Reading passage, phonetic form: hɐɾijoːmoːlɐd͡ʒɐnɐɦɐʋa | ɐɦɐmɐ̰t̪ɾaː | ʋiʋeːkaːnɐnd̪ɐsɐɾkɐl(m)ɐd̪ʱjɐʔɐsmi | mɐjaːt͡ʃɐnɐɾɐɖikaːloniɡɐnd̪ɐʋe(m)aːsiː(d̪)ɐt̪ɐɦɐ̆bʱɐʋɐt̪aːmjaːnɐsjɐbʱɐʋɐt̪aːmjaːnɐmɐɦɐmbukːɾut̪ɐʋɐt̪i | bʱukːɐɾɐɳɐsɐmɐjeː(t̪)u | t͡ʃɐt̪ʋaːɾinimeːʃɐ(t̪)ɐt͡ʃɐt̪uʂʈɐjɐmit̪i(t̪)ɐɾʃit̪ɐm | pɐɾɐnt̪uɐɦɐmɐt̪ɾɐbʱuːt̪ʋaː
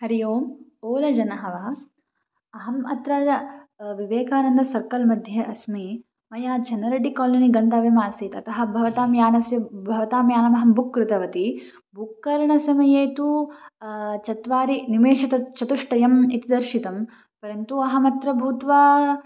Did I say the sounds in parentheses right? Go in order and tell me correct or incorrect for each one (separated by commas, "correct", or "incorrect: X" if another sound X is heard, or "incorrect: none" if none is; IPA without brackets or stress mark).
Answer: correct, correct, incorrect: t̪, correct, correct, incorrect: d̪